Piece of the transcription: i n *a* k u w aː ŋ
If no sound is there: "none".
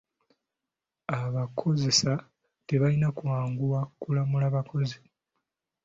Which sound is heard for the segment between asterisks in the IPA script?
a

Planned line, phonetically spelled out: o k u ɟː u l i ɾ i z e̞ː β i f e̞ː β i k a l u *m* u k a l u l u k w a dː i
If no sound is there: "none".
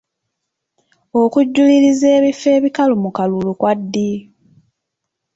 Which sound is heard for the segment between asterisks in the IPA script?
m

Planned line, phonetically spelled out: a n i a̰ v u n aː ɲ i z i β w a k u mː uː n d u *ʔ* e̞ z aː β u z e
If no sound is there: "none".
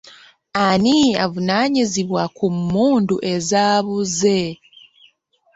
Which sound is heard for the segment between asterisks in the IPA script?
ʔ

